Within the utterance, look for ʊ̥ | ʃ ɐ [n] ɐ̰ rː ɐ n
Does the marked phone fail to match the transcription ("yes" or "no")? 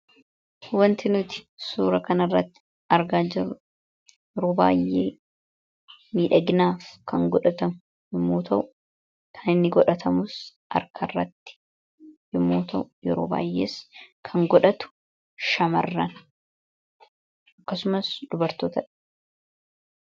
yes